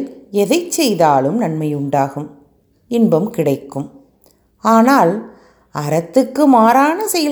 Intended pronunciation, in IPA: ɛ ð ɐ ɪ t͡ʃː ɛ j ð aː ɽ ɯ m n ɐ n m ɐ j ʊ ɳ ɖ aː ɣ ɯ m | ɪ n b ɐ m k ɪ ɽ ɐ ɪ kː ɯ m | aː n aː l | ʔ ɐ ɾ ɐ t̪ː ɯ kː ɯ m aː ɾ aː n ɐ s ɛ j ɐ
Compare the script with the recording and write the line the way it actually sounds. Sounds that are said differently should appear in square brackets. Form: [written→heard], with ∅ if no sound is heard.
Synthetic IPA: ɛ ð ɐ ɪ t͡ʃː ɛ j ð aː [ɽ→l] ɯ m n ɐ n m ɐ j ʊ ɳ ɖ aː ɣ ɯ m | ɪ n b ɐ m k ɪ ɽ ɐ ɪ kː ɯ m | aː n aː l | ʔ ɐ ɾ ɐ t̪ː ɯ kː ɯ m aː ɾ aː n ɐ s ɛ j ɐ